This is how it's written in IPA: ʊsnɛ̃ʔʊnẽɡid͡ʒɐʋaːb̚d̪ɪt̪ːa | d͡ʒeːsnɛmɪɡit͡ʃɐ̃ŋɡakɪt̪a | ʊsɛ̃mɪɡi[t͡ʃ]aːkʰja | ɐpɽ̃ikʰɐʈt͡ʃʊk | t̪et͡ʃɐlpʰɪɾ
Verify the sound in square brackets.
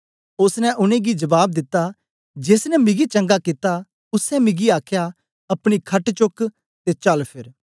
incorrect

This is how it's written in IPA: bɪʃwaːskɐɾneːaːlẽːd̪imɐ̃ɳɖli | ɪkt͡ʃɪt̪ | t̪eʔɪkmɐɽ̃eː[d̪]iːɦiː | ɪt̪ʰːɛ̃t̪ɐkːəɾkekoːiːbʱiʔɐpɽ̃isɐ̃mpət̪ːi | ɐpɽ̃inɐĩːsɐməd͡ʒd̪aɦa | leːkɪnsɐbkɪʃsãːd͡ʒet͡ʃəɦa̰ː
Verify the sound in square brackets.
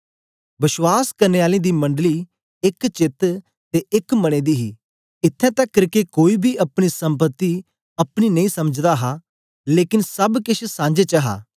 correct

